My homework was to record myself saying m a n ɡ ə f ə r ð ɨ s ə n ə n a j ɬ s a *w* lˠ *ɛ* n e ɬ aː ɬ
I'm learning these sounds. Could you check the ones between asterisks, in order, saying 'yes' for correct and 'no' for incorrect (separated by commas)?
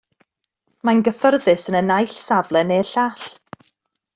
no, yes